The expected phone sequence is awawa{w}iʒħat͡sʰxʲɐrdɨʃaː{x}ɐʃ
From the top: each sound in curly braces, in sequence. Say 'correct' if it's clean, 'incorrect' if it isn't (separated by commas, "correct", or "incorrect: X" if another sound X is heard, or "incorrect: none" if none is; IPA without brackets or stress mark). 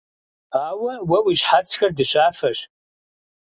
correct, incorrect: f